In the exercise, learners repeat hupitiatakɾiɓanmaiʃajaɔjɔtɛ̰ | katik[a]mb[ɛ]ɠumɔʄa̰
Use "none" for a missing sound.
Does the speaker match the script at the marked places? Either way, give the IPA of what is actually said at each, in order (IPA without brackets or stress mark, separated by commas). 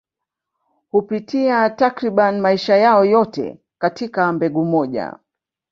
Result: a, ɛ